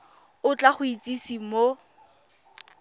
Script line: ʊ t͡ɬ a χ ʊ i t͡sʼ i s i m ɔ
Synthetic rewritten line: ʊ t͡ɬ a χ ʊ i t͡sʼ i s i m o